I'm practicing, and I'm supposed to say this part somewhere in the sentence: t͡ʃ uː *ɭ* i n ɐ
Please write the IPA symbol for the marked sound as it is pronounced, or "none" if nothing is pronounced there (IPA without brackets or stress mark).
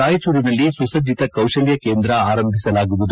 ɾ